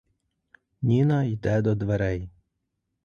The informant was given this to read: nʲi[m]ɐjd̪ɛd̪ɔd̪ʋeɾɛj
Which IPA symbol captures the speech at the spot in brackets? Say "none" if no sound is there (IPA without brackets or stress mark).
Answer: n